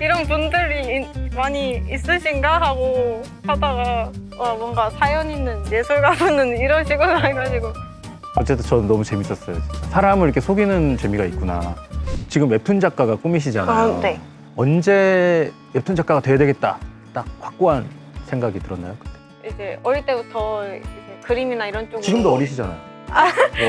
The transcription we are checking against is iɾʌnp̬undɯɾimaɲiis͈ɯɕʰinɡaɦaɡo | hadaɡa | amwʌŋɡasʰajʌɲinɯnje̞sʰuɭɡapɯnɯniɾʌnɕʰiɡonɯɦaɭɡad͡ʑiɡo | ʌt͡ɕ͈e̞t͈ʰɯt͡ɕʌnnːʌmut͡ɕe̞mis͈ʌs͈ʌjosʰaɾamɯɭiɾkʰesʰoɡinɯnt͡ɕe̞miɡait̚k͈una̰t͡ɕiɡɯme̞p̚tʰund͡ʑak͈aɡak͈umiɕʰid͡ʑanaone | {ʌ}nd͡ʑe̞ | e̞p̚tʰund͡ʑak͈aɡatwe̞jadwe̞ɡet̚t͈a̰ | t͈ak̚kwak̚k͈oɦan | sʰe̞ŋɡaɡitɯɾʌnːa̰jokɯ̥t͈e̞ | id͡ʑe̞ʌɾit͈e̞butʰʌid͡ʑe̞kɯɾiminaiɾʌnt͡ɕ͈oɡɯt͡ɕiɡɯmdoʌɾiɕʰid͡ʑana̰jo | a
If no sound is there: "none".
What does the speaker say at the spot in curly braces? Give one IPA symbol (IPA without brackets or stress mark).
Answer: ʌ